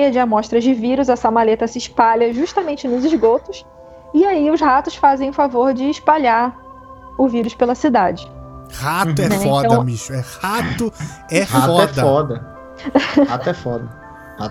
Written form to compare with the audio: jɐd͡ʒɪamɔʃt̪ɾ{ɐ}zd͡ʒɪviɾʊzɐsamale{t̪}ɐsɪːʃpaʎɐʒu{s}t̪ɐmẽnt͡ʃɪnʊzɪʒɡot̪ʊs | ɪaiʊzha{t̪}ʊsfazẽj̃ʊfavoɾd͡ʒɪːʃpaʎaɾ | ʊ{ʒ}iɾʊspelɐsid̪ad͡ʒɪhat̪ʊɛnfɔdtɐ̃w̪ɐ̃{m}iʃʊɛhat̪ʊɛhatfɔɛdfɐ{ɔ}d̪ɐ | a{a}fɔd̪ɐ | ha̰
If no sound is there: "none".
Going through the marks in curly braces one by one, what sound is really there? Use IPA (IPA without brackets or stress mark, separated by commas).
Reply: ɐ, t̪, ʃ, t̪, v, m, ɔ, ɛ